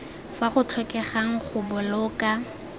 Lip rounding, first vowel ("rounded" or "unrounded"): unrounded